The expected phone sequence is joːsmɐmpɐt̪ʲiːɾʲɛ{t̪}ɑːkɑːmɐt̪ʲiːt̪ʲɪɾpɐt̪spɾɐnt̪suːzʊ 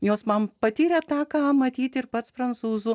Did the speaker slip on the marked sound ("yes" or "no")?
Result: no